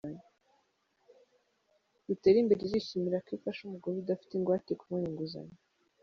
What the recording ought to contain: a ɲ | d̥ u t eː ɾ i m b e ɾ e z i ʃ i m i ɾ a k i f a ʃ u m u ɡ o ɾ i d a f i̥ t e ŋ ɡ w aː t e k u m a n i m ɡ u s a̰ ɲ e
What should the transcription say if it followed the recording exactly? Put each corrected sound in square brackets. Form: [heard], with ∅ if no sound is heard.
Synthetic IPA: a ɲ | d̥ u t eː ɾ i m b e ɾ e z i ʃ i m i ɾ a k i f a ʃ u m u ɡ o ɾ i d a f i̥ t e ŋ ɡ w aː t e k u m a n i [ŋ] ɡ u [z] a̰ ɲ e